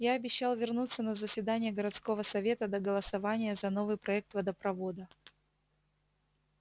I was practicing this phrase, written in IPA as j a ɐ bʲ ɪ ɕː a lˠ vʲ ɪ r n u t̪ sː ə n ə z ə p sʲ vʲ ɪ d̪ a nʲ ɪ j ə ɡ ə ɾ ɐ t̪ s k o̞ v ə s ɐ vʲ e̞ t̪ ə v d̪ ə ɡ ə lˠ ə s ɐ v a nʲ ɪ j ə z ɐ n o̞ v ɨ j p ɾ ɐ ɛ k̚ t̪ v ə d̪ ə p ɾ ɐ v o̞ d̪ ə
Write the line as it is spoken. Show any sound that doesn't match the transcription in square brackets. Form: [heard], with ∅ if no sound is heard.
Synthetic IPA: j a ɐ bʲ ɪ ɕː a lˠ vʲ ɪ r n u t̪ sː ə n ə z ə [∅] sʲ vʲ ɪ d̪ a nʲ ɪ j ə ɡ ə ɾ ɐ t̪ s k o̞ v ə s ɐ vʲ e̞ t̪ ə [∅] d̪ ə ɡ ə lˠ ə s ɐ v a nʲ ɪ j ə z ɐ n o̞ v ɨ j p ɾ ɐ ɛ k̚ t̪ v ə d̪ ə p ɾ ɐ v o̞ d̪ ə